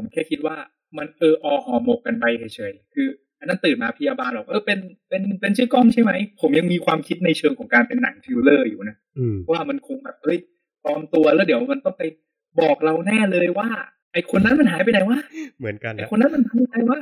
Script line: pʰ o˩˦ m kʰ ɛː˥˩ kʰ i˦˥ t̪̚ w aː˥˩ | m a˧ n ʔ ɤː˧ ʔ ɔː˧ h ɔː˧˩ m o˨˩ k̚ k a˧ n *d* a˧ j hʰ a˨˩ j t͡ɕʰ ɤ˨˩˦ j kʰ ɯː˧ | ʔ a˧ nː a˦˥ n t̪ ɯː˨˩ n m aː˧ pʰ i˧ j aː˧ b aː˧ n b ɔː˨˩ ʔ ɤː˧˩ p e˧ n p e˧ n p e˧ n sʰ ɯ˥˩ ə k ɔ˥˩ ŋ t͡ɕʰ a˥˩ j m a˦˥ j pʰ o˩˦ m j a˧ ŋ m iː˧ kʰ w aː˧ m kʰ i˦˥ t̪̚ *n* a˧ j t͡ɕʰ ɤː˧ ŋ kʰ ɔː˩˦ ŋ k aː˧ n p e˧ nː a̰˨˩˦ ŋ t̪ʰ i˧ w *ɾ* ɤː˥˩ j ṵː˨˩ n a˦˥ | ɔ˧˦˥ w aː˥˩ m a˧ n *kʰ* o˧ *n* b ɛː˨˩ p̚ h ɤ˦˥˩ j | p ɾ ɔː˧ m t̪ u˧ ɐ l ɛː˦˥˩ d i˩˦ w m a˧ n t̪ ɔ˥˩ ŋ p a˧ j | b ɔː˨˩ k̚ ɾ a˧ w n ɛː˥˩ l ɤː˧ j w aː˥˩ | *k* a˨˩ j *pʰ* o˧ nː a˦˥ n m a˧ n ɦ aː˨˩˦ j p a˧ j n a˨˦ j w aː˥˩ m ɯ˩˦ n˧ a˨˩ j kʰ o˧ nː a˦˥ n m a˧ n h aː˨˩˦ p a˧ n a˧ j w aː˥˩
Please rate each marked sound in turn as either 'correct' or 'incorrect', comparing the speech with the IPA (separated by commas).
incorrect, correct, incorrect, correct, incorrect, incorrect, incorrect